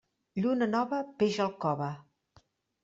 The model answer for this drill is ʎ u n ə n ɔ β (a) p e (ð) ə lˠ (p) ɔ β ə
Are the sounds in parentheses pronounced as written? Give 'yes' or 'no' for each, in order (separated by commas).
no, no, no